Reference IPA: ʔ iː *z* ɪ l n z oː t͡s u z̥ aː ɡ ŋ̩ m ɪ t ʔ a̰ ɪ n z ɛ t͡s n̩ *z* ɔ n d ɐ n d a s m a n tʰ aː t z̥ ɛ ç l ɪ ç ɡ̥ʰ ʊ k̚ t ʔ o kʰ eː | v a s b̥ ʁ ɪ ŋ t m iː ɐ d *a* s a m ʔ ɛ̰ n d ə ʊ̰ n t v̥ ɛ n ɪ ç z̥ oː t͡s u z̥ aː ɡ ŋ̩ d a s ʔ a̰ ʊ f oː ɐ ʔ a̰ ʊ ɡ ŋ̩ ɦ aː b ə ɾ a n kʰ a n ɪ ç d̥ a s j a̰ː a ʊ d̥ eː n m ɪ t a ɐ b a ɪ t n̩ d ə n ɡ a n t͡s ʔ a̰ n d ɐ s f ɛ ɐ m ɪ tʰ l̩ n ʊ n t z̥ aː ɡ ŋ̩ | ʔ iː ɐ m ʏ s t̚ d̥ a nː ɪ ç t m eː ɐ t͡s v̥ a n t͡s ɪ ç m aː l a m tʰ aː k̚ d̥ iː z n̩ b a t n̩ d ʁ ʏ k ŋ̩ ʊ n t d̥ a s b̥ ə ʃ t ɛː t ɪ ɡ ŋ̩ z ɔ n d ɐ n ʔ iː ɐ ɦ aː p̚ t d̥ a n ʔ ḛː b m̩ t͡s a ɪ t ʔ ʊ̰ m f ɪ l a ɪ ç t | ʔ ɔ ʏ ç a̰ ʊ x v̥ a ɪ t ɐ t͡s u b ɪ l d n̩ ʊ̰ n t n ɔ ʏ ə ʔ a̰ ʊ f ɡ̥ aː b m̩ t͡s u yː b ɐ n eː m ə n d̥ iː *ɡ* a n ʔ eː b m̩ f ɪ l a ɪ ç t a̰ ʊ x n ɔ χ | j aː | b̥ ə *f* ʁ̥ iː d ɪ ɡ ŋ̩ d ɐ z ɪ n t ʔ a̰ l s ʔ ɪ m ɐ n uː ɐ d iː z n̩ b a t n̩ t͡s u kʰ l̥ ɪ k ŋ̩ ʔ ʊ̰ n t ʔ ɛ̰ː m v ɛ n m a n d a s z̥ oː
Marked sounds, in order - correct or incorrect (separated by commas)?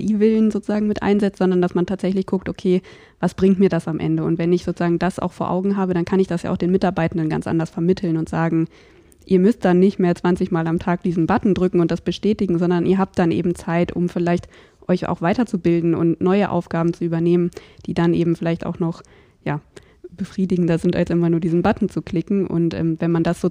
incorrect, correct, correct, incorrect, correct